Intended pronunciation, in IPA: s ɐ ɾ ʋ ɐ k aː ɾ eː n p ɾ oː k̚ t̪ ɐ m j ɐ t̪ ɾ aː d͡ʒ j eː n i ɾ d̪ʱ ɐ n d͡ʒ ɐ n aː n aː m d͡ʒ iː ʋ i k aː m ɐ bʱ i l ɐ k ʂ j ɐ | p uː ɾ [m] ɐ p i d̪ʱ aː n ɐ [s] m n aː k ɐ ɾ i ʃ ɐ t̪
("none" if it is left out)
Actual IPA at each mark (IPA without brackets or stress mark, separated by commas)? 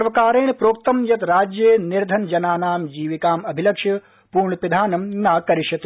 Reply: ɳ, none